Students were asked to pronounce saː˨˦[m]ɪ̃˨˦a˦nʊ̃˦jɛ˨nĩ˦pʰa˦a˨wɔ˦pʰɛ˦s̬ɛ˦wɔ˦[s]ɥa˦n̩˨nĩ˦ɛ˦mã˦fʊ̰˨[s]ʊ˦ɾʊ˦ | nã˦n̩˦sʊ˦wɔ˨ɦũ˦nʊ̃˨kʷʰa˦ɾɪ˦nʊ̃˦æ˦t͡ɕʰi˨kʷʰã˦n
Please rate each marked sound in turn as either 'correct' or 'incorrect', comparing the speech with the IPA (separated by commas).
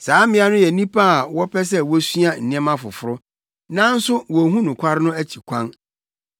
correct, correct, incorrect